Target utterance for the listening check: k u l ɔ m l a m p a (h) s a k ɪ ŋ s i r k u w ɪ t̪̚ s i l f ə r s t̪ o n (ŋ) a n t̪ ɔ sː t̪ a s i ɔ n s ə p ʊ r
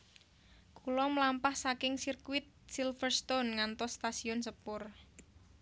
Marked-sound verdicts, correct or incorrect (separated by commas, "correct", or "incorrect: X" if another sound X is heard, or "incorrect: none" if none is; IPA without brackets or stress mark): correct, correct